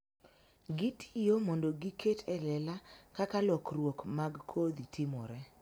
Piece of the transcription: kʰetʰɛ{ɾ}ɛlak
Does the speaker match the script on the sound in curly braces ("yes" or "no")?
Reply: no